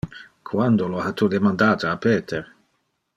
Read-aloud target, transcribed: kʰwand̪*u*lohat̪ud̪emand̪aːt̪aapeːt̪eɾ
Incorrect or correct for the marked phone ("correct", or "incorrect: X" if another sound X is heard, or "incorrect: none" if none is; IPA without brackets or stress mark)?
incorrect: o